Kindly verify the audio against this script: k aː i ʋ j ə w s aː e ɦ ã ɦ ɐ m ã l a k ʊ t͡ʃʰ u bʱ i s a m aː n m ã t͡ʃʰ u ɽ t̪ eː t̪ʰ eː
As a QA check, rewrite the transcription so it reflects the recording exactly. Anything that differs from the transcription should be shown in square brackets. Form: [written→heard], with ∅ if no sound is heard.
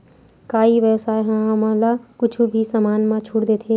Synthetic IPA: k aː i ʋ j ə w s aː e ɦ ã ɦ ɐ m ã l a k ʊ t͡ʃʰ u bʱ i s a m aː n m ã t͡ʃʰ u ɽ [t̪→d̪] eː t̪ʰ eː